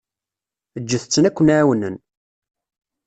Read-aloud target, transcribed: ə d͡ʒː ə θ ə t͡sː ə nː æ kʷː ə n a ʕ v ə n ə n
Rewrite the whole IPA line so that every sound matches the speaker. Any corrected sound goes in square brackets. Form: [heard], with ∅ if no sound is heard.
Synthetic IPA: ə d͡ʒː ə θ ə t͡sː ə [n] æ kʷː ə n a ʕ [w] ə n ə n